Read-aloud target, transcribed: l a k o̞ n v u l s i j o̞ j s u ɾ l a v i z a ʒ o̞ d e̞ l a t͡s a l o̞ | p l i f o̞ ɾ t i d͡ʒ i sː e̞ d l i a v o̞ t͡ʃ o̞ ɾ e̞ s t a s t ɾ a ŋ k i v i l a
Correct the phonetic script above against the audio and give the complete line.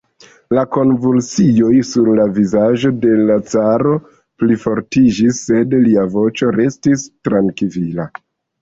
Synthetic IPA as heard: l a k o̞ n v u l s i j o̞ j s u ɾ l a v i z a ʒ o̞ d e̞ l a t͡s a ɾ o̞ | p l i f o̞ ɾ t i d͡ʒ i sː e̞ d l i a v o̞ t͡ʃ o̞ ɾ e̞ s t i s t ɾ a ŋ k i v i l a